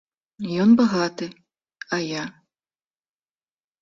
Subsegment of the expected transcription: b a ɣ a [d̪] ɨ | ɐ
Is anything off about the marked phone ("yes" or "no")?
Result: yes